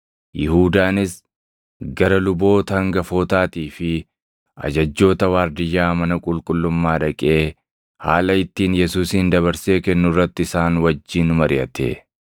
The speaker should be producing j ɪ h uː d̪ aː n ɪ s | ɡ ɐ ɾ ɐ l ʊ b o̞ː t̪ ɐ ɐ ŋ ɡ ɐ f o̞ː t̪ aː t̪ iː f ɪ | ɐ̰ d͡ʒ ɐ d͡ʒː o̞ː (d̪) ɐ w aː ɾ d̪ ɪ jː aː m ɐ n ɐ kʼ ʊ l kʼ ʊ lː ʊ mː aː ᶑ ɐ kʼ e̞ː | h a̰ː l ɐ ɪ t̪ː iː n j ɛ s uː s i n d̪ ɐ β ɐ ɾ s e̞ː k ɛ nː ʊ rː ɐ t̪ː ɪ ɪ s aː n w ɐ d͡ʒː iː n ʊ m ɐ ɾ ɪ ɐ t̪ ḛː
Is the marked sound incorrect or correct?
incorrect